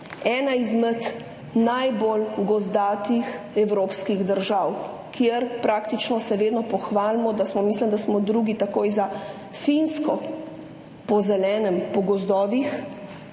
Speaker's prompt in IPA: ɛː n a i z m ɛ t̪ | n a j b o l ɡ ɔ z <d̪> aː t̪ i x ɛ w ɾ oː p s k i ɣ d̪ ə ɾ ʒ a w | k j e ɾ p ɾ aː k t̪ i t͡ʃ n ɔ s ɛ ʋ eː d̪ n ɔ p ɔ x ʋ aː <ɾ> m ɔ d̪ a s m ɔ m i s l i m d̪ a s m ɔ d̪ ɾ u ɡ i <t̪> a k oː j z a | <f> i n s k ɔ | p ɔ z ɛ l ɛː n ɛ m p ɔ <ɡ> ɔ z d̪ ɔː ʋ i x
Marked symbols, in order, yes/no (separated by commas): yes, no, yes, yes, yes